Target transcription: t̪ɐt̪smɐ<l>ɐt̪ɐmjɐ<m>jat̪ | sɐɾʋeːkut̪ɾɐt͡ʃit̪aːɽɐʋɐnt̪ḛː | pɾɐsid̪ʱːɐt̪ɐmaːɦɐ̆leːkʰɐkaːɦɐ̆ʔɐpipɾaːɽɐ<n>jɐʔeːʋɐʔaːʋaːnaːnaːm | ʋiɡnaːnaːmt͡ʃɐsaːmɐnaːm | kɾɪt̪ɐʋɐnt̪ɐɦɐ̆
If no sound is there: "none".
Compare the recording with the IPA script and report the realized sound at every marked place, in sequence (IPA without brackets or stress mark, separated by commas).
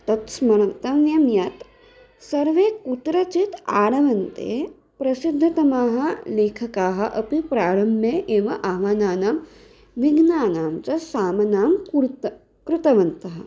ɾ, m, m